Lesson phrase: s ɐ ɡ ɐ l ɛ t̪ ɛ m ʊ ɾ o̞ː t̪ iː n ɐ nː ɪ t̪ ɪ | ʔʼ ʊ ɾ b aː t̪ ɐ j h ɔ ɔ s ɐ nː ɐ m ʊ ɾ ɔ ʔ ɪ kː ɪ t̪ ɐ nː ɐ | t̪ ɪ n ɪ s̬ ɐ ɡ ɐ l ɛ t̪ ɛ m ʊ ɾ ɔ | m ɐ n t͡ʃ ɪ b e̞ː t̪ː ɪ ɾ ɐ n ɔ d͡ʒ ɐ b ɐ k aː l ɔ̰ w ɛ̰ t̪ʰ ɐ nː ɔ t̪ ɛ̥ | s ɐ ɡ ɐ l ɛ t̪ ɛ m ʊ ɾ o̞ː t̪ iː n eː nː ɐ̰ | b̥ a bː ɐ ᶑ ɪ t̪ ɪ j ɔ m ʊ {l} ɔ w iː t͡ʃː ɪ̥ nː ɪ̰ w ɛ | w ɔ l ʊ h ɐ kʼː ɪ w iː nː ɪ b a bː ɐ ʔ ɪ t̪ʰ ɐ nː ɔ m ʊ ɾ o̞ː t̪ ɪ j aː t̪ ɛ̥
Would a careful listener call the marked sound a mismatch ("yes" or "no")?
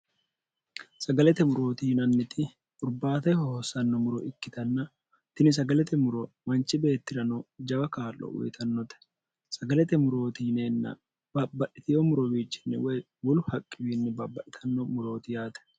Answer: yes